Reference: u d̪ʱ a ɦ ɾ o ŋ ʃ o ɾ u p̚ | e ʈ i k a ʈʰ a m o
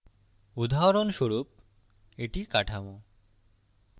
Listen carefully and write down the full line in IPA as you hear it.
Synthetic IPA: u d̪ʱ a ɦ ɾ o n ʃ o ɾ u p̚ | e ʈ i k a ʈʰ a m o